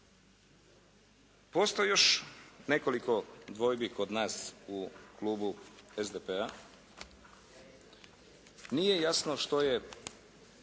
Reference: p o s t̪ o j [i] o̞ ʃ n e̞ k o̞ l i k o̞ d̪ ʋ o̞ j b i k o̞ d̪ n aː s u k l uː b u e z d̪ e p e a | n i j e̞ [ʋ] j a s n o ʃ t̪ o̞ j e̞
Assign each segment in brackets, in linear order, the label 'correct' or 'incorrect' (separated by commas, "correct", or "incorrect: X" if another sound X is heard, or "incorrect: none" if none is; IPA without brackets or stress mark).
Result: incorrect: j, incorrect: none